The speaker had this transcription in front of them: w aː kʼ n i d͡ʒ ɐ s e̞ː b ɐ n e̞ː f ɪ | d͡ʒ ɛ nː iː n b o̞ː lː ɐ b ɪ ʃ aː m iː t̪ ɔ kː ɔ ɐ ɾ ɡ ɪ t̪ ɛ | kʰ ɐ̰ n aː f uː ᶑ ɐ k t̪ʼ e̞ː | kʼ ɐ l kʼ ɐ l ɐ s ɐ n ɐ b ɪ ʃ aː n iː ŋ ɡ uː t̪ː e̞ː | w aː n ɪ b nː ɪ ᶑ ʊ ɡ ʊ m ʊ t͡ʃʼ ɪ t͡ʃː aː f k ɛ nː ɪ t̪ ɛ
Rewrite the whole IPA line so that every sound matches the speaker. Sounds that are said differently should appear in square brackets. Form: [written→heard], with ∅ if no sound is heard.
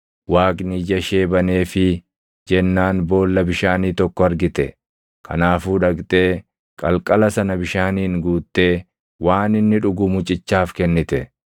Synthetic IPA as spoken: w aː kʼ n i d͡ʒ ɐ [s→ʃ] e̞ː b ɐ n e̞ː f ɪ | d͡ʒ ɛ nː [iː→aː] n b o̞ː lː ɐ b ɪ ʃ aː [m→n] iː t̪ ɔ kː ɔ ɐ ɾ ɡ ɪ t̪ ɛ | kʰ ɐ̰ n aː f uː ᶑ ɐ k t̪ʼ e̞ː | kʼ ɐ l kʼ ɐ l ɐ s ɐ n ɐ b ɪ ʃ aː n iː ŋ ɡ uː t̪ː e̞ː | w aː n ɪ [b→∅] nː ɪ ᶑ ʊ ɡ ʊ m ʊ t͡ʃʼ ɪ t͡ʃː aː f k ɛ nː ɪ t̪ ɛ